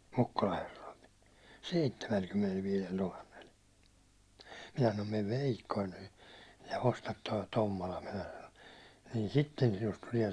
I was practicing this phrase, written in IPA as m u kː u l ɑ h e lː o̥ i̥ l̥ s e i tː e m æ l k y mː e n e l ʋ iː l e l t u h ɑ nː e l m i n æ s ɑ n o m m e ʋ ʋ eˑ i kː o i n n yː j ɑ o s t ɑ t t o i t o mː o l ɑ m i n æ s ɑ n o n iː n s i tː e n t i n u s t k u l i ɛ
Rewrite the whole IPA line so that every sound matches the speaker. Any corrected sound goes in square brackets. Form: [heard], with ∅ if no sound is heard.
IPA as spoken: m u kː u l ɑ h e [rː] o̥ i̥ l̥ s e i tː e m æ l k y mː e n e l ʋ iː l e l t u h ɑ nː e l m i n æ s ɑ n o m m e ʋ ʋ eˑ i kː o i n n yː j ɑ o s t ɑ t t o i t o mː o l ɑ m i n æ s ɑ n o n iː n s i tː e n [s] i n u s t [t] u l i ɛ